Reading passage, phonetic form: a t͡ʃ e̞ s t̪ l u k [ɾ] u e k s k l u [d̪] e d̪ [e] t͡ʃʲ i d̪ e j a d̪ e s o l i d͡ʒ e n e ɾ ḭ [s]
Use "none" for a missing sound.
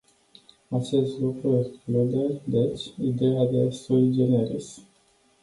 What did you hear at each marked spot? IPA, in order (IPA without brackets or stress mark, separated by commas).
ɾ, d̪, e, s